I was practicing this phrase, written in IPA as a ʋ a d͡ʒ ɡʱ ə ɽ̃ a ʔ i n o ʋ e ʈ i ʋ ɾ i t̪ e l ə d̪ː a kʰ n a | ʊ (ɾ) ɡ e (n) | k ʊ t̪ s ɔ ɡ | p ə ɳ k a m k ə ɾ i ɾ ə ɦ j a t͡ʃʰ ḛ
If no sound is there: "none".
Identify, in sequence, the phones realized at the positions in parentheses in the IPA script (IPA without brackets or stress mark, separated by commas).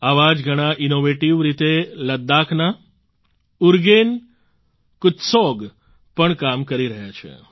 ɾ, n